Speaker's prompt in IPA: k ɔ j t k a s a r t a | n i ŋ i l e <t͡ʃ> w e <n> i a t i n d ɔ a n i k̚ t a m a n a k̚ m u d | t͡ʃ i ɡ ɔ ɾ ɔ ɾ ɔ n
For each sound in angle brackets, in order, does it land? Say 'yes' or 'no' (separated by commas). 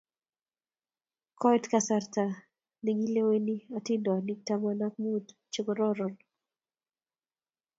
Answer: no, yes